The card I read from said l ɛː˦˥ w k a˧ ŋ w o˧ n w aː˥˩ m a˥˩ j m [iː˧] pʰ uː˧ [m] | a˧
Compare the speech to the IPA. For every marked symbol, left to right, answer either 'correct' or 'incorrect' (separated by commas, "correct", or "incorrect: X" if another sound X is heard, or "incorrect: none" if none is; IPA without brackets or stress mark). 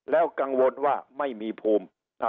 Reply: correct, correct